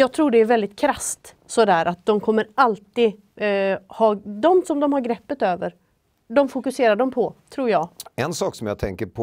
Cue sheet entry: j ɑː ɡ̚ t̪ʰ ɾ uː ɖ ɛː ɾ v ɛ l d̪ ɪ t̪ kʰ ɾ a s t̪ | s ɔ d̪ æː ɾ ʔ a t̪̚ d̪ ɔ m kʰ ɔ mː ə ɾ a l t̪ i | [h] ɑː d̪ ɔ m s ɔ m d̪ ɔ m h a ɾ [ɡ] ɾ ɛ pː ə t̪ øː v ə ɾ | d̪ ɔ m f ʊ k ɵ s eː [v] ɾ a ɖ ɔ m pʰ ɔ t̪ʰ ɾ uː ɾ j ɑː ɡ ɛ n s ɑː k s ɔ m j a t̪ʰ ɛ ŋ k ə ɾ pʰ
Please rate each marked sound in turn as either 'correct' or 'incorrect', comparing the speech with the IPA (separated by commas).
correct, correct, incorrect